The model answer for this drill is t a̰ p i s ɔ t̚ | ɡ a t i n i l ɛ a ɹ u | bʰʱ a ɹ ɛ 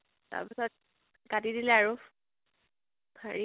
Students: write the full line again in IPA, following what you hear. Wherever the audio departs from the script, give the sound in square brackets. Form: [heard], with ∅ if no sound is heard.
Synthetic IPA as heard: t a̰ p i s ɔ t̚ | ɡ a t i [d] i l ɛ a ɹ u | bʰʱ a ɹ [i]